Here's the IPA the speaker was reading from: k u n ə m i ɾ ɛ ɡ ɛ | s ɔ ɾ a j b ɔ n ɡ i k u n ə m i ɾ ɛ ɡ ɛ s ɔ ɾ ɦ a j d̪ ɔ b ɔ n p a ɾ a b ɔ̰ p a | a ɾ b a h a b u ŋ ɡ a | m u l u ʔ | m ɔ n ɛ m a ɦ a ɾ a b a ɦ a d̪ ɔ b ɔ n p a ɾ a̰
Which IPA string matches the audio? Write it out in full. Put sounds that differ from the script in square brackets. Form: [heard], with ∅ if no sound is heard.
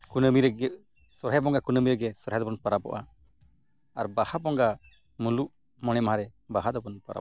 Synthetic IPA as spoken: k u n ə m i ɾ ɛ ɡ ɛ | s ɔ ɾ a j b ɔ [ŋ] ɡ [a] k u n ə m i ɾ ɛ ɡ ɛ s ɔ ɾ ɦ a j d̪ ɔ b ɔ n p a ɾ a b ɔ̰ [ʔ] a | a ɾ b a h a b [ɔ] ŋ ɡ a | m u l u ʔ | m ɔ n ɛ m a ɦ a ɾ [ɛ] b a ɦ a d̪ ɔ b ɔ n p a ɾ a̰